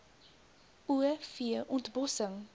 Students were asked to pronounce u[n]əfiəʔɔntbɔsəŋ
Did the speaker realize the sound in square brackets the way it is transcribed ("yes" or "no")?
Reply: no